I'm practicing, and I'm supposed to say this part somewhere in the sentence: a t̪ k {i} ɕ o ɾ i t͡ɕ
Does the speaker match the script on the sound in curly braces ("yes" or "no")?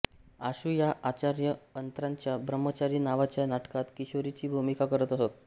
yes